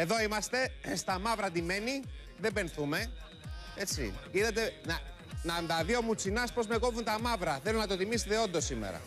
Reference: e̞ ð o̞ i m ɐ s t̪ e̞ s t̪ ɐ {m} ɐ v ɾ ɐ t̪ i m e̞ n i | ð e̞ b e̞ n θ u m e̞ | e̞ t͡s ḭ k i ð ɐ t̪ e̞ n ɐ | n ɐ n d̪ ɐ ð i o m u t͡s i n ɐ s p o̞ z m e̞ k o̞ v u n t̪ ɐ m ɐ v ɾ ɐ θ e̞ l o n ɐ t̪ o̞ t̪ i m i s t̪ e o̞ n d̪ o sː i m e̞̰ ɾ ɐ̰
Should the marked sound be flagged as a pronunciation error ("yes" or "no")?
no